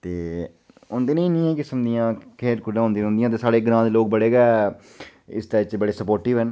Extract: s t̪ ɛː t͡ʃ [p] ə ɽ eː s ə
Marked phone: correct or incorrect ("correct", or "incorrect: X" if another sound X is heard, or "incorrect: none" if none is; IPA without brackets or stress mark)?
incorrect: b